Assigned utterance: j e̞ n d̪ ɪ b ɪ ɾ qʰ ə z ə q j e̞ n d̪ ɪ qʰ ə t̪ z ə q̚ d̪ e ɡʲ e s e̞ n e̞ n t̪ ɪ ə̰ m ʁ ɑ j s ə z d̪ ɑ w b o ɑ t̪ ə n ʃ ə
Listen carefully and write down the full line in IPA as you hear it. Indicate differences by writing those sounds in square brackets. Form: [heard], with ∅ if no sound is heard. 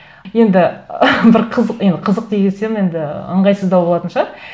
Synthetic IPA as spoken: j e̞ n d̪ ɪ b ɪ ɾ qʰ ə z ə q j e̞ n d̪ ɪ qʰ ə [∅] z ə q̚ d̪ e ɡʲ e s e̞ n e̞ n [d̪] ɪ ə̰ [ɴ] ʁ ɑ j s ə z d̪ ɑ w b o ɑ t̪ ə n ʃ [ɑ]